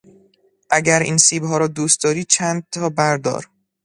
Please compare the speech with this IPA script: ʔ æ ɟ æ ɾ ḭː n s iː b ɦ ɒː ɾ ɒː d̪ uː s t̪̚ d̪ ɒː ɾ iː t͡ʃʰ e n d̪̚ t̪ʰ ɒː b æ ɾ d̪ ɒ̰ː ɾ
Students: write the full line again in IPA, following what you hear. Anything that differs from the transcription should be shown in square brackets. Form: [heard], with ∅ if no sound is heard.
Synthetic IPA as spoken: ʔ æ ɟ æ ɾ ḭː n s iː b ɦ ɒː ɾ ɒː d̪ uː s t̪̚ d̪ ɒː ɾ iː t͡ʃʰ [æ] n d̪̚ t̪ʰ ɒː b æ ɾ d̪ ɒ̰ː ɾ